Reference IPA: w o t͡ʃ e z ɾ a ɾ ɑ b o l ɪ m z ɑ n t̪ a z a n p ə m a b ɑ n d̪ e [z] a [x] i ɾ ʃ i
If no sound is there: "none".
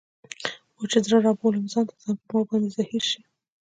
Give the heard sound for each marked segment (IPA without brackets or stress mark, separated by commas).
z, h